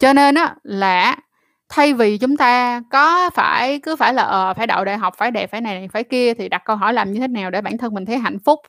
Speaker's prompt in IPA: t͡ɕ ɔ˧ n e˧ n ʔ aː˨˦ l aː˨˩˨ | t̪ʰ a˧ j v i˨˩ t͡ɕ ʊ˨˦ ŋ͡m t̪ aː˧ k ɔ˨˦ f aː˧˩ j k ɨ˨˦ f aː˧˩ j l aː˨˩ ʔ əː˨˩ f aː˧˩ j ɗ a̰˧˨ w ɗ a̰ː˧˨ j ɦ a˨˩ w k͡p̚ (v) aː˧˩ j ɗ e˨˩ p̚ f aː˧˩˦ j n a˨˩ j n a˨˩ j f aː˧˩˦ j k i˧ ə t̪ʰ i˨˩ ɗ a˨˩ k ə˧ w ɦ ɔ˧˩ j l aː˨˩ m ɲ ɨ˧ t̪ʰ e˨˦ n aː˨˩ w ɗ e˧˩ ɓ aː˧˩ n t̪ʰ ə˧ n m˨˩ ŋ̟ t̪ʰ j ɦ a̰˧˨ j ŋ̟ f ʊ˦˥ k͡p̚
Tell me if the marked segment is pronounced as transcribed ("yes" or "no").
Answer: no